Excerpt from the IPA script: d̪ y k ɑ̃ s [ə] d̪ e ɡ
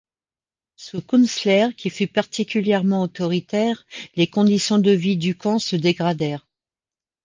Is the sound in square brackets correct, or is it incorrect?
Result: correct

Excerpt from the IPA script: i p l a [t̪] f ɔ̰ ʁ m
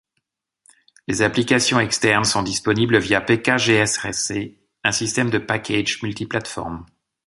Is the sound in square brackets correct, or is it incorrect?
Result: correct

